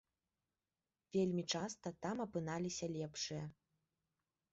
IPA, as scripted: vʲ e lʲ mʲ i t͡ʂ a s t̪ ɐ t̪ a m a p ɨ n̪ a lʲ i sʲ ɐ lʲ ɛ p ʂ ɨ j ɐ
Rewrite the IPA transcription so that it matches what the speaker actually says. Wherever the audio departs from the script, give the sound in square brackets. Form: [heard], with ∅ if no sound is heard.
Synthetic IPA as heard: vʲ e lʲ mʲ i t͡ʂ a s t̪ ɐ t̪ a m [ɐ] p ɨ n̪ a lʲ i sʲ ɐ lʲ ɛ p ʂ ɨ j ɐ